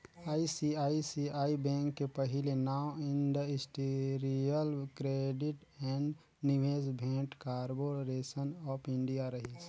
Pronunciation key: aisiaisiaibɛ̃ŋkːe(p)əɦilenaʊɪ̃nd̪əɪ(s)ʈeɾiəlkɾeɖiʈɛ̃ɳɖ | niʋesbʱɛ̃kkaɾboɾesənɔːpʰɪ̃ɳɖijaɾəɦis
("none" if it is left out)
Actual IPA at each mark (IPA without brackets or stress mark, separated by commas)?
p, s